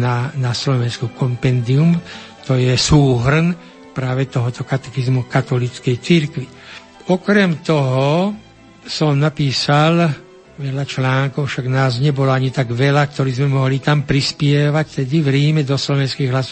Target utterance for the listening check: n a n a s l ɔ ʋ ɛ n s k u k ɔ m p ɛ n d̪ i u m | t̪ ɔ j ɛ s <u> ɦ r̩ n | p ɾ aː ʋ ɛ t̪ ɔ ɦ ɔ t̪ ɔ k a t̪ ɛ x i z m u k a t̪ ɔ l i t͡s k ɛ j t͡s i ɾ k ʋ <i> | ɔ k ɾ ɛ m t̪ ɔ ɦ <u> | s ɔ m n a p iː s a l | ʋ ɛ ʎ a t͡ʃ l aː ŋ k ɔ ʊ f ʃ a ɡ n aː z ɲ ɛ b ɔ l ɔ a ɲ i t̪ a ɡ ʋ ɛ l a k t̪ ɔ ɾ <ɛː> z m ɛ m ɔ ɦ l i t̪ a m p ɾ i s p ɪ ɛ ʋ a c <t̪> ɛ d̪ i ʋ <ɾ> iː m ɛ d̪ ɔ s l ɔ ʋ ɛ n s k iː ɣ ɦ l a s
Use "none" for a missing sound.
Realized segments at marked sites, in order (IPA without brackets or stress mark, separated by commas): uː, i, ɔ, iː, t̪, ɾ